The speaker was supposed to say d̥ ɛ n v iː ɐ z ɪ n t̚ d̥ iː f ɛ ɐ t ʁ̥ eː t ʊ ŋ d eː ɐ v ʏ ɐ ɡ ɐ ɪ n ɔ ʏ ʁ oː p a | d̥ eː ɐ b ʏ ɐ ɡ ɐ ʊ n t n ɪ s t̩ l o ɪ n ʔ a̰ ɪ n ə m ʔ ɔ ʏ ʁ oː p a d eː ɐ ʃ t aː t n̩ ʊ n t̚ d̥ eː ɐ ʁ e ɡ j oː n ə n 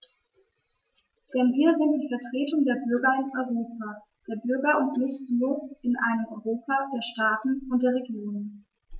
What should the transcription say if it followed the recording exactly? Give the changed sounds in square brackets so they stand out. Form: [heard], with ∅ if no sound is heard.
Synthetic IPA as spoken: d̥ ɛ n v iː ɐ z ɪ n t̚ d̥ iː f ɛ ɐ t ʁ̥ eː t ʊ ŋ d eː ɐ [b] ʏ ɐ ɡ ɐ ɪ n ɔ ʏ ʁ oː p a | d̥ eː ɐ b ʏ ɐ ɡ ɐ ʊ n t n ɪ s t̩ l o ɪ n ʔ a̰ ɪ n ə m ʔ ɔ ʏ ʁ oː p a d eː ɐ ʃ t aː t n̩ ʊ n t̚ d̥ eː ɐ ʁ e ɡ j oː n ə n

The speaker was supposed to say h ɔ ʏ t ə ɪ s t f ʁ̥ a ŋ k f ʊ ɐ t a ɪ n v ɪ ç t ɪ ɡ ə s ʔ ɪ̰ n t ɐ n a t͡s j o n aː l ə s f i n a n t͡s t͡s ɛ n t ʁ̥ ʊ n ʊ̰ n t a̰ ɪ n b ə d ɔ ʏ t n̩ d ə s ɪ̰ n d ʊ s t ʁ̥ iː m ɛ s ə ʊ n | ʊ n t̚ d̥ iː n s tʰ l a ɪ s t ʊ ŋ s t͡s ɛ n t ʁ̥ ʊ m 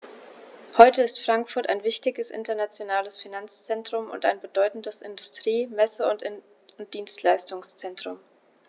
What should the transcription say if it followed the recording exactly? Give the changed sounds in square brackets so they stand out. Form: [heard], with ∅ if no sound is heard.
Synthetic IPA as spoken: h ɔ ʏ t ə ɪ s t f ʁ̥ a ŋ k f ʊ ɐ t a ɪ n v ɪ ç t ɪ ɡ ə s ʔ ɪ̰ n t ɐ n a t͡s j o n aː l ə s f i n a n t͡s t͡s ɛ n t ʁ̥ ʊ [m] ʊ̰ n t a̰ ɪ n b ə d ɔ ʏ t n̩ d ə s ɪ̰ n d ʊ s t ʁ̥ iː m ɛ s ə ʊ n | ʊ n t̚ d̥ iː n s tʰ l a ɪ s t ʊ ŋ s t͡s ɛ n t ʁ̥ ʊ m

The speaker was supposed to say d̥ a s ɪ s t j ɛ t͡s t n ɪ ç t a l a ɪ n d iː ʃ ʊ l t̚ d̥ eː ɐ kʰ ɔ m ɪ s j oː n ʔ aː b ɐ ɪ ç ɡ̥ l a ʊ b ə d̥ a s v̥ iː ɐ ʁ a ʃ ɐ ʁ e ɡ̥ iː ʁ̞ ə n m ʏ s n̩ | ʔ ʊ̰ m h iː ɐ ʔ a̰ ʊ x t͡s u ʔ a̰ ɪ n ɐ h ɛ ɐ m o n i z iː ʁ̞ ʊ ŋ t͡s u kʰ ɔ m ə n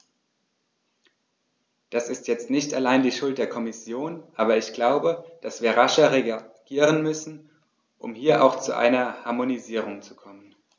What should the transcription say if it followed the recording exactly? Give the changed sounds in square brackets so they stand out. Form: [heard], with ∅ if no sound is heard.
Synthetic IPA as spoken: d̥ a s ɪ s t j ɛ t͡s t n ɪ ç t a l a ɪ n d iː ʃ ʊ l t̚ d̥ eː ɐ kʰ ɔ m ɪ s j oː n ʔ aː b ɐ ɪ ç ɡ̥ l a ʊ b ə d̥ a s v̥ iː ɐ ʁ a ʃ ɐ ʁ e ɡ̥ iː ʁ̞ ə n m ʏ s n̩ | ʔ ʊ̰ m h iː ɐ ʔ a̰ ʊ x t͡s u ʔ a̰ ɪ n ɐ h [a] ɐ m o n i z iː ʁ̞ ʊ ŋ t͡s u kʰ ɔ m ə n

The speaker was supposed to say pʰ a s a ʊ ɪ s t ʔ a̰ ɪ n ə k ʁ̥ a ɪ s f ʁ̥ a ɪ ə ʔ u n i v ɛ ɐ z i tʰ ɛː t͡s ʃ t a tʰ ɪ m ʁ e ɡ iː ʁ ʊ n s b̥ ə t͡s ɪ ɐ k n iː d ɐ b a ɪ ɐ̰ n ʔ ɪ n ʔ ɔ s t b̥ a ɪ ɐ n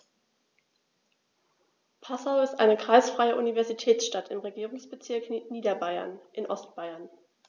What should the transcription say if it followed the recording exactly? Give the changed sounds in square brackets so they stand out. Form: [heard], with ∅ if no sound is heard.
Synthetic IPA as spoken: pʰ a s a ʊ ɪ s t ʔ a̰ ɪ n ə k ʁ̥ a ɪ s f ʁ̥ a ɪ ə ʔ u n i v ɛ ɐ z i tʰ ɛː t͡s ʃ t a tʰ ɪ m ʁ e ɡ iː ʁ ʊ [ŋ] s b̥ ə t͡s ɪ ɐ k n iː d ɐ b a ɪ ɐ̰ n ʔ ɪ n ʔ ɔ s t b̥ a ɪ ɐ n

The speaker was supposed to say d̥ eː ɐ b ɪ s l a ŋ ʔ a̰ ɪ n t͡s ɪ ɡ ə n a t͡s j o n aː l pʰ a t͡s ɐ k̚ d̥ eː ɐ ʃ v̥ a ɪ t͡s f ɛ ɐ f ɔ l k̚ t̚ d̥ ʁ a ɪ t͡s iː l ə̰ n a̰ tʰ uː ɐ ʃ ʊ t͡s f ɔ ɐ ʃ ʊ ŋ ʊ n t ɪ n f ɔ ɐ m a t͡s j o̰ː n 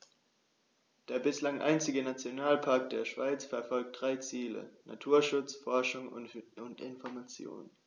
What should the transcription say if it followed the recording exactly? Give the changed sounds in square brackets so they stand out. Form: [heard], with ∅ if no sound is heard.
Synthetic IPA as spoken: d̥ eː ɐ b ɪ s l a ŋ ʔ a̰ ɪ n t͡s ɪ ɡ ə n a t͡s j o n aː l pʰ a [∅] ɐ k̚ d̥ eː ɐ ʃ v̥ a ɪ t͡s f ɛ ɐ f ɔ l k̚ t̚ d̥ ʁ a ɪ t͡s iː l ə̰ n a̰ tʰ uː ɐ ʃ ʊ t͡s f ɔ ɐ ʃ ʊ ŋ ʊ n t ɪ n f ɔ ɐ m a t͡s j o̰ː n

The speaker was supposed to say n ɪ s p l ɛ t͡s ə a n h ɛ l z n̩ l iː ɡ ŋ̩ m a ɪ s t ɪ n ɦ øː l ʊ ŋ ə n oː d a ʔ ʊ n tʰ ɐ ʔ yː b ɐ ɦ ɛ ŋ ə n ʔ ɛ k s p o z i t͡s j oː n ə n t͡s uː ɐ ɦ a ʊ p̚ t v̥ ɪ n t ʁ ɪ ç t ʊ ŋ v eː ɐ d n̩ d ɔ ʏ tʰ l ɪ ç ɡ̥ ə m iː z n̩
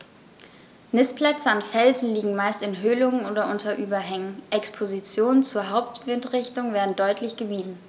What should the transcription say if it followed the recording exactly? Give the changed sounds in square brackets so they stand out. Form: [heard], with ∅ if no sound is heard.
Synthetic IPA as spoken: n ɪ s p l ɛ t͡s ə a n [f] ɛ l z n̩ l iː ɡ ŋ̩ m a ɪ s t ɪ n ɦ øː l ʊ ŋ ə n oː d [ɐ] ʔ ʊ n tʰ ɐ ʔ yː b ɐ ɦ ɛ ŋ ə n ʔ ɛ k s [pʰ] o z i t͡s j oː n ə n t͡s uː ɐ ɦ a ʊ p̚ t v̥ ɪ n t ʁ ɪ ç t ʊ ŋ v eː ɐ d n̩ d ɔ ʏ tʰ l ɪ ç ɡ̥ ə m iː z n̩

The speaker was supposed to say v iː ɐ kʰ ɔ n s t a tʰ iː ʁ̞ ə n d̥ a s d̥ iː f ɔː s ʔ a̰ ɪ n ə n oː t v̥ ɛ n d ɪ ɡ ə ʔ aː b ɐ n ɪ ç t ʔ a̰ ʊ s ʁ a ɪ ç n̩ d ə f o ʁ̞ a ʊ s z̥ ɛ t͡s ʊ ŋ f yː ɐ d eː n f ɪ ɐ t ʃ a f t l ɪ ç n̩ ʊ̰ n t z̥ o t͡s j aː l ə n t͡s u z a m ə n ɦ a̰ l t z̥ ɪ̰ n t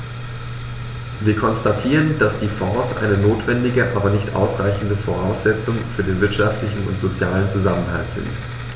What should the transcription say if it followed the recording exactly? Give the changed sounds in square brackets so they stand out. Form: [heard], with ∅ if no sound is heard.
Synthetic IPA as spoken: v iː ɐ kʰ ɔ n s t a tʰ iː ʁ̞ ə n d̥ a s d̥ iː f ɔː s ʔ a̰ ɪ n ə n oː t v̥ ɛ n d ɪ ɡ ə ʔ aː b ɐ n ɪ ç t ʔ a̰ ʊ s ʁ a ɪ ç n̩ d ə f o ʁ̞ a ʊ s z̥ ɛ t͡s ʊ ŋ f yː ɐ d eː n [v] ɪ ɐ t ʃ a f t l ɪ ç n̩ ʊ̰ n t z̥ o t͡s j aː l ə n t͡s u z a m ə n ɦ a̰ l t z̥ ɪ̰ n t

